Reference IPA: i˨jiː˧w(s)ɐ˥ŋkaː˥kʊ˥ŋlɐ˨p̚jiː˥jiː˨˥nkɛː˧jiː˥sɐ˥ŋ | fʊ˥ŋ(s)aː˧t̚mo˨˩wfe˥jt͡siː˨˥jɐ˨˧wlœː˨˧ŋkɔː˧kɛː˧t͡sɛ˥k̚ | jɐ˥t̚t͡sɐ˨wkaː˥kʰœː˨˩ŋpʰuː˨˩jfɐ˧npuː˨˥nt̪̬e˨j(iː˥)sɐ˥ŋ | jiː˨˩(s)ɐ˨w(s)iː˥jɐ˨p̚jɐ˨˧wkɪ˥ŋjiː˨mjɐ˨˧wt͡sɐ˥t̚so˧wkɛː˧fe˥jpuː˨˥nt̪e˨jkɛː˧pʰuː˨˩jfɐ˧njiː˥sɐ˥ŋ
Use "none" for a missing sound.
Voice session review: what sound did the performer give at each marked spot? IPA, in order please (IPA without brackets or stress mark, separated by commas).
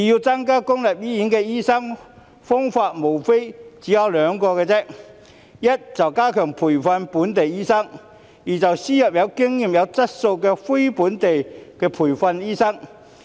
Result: t͡s, f, iː˥, t͡s, s